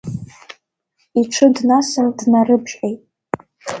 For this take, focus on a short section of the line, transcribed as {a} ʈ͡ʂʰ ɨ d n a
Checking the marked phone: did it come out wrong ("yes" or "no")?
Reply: yes